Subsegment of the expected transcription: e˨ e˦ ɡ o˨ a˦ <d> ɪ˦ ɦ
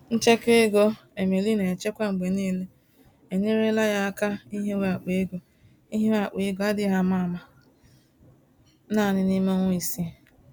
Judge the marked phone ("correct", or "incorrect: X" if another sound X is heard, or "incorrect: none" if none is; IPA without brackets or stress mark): correct